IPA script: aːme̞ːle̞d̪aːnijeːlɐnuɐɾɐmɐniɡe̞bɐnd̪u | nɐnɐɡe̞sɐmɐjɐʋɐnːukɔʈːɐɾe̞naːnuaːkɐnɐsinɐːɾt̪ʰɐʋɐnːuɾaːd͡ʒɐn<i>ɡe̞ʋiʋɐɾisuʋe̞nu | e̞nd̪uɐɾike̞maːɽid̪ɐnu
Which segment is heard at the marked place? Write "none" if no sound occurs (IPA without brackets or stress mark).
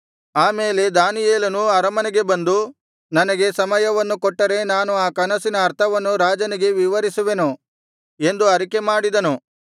i